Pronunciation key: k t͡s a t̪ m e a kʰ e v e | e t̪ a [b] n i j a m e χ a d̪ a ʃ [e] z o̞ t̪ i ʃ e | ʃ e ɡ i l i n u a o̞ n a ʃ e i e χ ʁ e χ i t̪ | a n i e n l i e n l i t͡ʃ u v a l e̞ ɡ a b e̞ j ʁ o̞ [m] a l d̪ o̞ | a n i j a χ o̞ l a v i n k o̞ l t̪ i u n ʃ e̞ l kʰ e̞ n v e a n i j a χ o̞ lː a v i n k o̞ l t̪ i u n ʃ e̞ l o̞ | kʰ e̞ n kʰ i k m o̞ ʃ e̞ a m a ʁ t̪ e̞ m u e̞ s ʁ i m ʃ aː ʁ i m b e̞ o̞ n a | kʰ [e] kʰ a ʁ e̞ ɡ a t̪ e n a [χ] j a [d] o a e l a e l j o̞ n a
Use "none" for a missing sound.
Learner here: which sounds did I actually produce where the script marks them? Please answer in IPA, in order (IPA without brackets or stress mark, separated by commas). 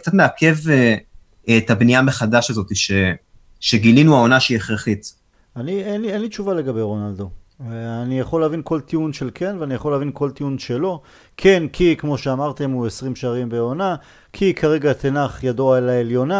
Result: b, a, n, i, χ, d